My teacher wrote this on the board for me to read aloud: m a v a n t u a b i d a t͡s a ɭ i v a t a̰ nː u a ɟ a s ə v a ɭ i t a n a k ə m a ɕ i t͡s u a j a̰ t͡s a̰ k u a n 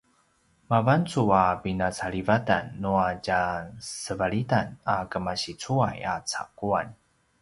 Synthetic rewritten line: m a v a n t͡s u a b i n a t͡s a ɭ i v a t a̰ nː u a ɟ a s ə v a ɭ i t a n a k ə m a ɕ i t͡s u a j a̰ t͡s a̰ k u a n